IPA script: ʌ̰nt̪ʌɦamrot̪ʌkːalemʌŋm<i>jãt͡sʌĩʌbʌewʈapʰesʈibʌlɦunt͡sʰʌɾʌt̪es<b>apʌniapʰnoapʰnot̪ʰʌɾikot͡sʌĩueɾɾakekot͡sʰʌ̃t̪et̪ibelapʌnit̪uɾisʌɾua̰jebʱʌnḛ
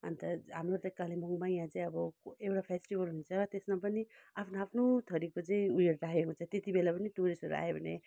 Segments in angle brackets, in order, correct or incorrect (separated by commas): incorrect, incorrect